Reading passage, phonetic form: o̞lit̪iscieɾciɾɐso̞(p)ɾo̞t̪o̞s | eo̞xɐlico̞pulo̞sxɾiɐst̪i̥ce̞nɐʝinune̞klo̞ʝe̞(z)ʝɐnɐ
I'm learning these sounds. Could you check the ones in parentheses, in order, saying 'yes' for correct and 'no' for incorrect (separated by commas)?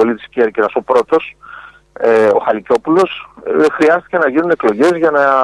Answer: yes, yes